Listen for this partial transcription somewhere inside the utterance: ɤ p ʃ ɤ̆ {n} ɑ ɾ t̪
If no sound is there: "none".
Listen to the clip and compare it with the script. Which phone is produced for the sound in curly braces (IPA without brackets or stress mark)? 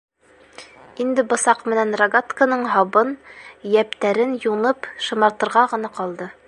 m